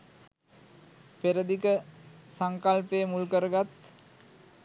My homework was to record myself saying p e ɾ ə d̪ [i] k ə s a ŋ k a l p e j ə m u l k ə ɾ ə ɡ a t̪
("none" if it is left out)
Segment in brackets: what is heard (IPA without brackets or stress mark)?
i